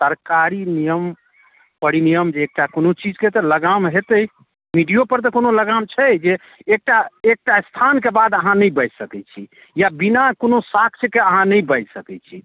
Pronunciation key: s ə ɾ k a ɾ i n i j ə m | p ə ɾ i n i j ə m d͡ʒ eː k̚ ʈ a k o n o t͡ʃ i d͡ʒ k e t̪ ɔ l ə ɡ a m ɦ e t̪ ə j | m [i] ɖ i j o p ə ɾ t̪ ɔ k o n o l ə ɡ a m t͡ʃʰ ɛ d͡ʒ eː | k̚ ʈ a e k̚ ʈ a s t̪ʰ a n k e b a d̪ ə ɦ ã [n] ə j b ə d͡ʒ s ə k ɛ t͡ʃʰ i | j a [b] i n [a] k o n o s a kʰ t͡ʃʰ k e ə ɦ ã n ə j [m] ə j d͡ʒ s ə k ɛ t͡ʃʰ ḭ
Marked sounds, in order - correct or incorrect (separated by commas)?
correct, correct, correct, correct, incorrect